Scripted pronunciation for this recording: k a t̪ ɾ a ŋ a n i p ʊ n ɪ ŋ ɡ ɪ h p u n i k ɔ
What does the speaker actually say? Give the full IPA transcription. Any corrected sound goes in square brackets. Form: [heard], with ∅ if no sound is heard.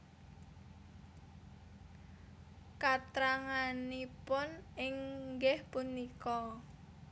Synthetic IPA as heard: k a t̪ ɾ a ŋ a n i p ʊ n ɪ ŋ ɡ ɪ h p u n i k ɔ